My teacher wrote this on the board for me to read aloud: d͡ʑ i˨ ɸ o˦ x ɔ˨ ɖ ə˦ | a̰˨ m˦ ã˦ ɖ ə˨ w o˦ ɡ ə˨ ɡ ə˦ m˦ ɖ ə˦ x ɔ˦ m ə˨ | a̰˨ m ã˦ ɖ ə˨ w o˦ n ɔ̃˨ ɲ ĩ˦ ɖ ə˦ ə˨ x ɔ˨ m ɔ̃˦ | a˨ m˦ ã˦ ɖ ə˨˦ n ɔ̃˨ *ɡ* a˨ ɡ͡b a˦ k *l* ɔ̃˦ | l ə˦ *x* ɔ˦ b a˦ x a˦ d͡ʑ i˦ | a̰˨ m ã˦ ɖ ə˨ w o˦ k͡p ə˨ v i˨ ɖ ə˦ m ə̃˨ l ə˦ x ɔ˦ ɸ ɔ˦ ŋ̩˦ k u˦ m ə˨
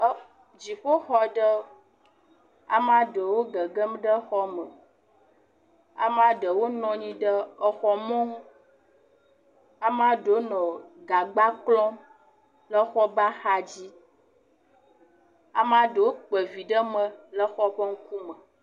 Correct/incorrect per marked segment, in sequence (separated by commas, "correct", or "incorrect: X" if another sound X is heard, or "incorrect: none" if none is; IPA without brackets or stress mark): correct, correct, correct